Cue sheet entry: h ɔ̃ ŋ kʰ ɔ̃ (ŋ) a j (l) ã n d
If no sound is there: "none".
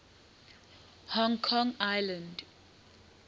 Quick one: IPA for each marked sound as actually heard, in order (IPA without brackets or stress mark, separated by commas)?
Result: ŋ, l